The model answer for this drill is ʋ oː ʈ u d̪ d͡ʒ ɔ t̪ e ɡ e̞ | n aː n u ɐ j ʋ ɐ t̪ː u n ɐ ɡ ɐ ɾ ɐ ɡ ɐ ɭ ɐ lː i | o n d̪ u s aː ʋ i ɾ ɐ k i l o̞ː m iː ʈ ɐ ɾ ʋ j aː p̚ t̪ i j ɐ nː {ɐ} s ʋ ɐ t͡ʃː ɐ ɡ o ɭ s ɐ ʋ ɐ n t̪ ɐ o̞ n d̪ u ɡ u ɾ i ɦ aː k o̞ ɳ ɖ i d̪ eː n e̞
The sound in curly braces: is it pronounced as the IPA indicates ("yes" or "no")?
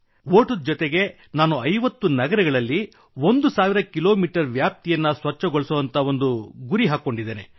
yes